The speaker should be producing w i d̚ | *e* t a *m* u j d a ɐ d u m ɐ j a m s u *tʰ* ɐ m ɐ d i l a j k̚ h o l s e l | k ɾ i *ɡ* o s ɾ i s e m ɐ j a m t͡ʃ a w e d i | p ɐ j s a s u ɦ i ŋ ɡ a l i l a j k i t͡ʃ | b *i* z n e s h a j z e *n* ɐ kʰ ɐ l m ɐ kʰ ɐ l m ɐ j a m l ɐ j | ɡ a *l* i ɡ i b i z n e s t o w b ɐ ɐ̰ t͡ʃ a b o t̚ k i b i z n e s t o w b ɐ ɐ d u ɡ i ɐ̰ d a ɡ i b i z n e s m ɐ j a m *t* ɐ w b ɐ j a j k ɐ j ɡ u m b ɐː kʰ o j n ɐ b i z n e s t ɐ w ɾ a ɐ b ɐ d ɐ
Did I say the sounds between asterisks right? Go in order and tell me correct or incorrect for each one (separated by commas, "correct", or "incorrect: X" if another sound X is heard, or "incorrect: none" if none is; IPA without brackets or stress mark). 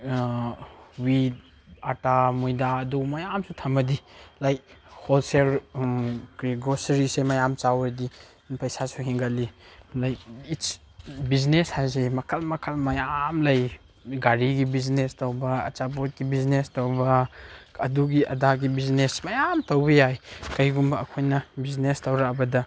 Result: incorrect: a, correct, correct, correct, correct, incorrect: m, incorrect: ɾ, correct